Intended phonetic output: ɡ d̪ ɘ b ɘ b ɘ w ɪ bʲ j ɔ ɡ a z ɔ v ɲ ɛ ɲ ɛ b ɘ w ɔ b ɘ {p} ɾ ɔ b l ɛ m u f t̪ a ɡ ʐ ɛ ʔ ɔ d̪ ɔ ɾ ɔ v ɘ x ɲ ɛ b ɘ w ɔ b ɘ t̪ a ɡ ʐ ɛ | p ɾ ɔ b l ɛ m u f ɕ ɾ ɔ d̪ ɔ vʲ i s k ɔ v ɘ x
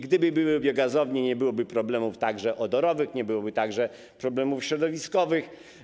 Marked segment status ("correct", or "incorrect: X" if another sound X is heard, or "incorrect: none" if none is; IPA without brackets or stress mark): correct